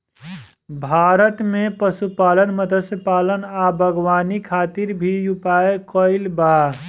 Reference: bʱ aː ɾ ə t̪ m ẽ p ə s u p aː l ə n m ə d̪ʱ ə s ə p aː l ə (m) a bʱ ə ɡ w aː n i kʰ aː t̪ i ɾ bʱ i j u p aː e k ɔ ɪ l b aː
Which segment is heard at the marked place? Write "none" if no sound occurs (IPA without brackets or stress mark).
n